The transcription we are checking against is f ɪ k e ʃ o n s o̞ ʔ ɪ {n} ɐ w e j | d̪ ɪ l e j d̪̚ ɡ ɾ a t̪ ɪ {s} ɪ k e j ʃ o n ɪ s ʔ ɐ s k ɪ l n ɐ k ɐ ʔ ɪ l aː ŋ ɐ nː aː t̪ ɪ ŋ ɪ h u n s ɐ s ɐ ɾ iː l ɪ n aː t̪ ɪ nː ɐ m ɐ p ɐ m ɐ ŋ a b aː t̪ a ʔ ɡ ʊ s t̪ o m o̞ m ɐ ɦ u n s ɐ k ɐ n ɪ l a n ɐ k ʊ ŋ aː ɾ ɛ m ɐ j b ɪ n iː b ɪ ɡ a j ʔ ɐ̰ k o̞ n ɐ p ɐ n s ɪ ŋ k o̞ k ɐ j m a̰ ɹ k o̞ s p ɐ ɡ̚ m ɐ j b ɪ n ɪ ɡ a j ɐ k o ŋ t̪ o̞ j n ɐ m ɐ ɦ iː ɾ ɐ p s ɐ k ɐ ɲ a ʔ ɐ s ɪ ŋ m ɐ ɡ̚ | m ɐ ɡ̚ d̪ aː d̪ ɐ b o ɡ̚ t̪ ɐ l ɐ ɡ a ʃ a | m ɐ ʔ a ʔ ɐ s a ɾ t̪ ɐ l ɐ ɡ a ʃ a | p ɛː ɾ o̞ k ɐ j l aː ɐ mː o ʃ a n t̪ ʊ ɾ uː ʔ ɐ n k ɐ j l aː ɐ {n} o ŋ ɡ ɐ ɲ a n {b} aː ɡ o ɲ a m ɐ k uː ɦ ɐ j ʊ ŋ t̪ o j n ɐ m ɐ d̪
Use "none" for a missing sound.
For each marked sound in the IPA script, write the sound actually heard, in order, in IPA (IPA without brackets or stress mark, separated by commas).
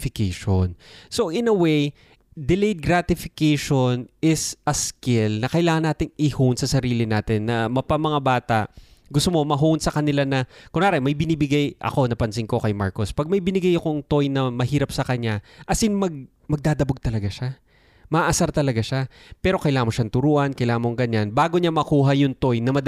n, f, m, b